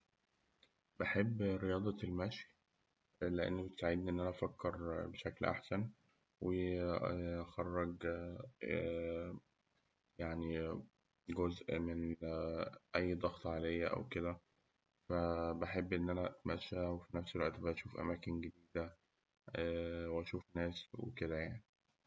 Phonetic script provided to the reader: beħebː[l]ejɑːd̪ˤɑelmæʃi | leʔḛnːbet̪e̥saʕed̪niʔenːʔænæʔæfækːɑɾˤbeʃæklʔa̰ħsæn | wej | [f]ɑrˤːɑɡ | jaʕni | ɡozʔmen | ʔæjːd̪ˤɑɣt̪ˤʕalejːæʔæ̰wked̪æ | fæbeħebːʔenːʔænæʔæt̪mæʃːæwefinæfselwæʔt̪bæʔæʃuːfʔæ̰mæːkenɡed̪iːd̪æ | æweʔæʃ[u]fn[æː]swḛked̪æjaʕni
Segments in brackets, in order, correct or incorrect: incorrect, incorrect, incorrect, correct

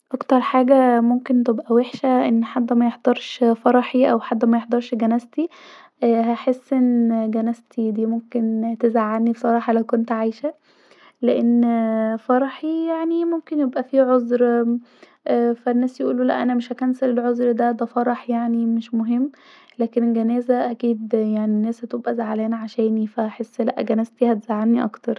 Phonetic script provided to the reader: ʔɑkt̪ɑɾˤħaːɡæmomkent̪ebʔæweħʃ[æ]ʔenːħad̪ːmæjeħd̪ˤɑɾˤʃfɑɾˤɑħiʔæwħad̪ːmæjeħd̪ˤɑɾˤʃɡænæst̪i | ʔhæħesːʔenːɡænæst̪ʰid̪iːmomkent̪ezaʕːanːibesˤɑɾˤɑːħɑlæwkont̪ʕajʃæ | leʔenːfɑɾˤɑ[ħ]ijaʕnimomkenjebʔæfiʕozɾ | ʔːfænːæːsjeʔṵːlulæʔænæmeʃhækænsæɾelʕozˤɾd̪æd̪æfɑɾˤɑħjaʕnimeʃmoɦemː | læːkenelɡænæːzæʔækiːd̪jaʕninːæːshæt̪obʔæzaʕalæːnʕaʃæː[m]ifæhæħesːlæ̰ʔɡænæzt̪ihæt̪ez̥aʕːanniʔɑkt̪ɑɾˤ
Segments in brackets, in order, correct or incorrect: correct, correct, incorrect

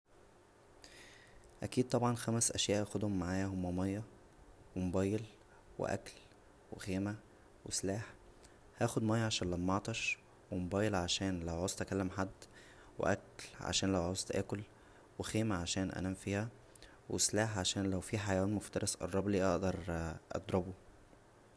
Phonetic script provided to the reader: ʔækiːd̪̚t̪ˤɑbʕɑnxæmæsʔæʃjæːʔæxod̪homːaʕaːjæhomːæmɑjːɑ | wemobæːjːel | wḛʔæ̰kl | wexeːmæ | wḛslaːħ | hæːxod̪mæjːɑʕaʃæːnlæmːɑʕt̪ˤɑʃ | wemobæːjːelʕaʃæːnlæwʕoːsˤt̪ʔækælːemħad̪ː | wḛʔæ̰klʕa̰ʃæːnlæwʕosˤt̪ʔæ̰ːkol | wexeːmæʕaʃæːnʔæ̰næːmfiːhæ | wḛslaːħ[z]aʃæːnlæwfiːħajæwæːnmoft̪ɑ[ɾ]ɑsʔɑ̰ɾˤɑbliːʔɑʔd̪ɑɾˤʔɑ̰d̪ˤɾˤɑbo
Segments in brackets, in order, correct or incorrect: incorrect, correct

